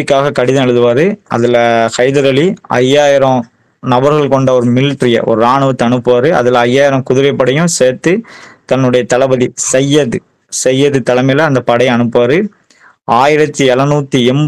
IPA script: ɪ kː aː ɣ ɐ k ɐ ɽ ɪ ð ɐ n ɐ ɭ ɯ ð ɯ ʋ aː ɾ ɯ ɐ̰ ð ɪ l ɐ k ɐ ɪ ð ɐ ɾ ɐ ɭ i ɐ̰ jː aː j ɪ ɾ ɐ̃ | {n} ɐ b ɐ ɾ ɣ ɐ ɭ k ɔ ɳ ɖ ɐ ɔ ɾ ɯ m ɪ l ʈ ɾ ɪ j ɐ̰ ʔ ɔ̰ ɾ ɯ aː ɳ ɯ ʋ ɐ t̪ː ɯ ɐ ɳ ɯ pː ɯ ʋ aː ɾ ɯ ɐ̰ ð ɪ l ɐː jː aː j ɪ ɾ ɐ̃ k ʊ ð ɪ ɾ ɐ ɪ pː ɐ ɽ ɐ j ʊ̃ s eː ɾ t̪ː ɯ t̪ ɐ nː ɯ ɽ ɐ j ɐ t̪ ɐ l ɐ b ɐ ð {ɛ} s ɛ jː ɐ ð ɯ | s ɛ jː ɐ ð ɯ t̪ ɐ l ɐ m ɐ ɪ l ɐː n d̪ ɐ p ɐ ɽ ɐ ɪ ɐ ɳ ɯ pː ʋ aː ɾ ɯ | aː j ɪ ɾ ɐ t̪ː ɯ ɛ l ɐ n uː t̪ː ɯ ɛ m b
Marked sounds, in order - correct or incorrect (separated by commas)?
correct, incorrect